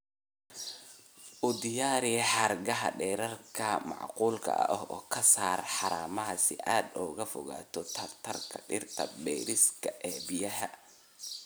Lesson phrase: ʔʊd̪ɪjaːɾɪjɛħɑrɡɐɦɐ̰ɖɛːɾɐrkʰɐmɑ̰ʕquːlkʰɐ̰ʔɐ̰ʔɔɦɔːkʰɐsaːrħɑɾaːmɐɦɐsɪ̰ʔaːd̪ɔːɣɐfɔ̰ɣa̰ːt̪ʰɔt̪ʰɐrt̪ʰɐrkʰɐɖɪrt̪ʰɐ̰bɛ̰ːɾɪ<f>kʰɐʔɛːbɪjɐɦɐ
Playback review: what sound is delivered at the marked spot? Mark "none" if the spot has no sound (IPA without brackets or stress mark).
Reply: s